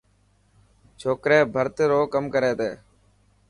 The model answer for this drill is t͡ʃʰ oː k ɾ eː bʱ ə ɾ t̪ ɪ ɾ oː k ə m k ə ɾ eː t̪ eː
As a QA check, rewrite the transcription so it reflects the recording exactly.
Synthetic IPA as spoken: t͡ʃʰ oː k ɾ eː bʱ ə ɾ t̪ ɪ ɾ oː k ə m k ə ɾ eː t̪ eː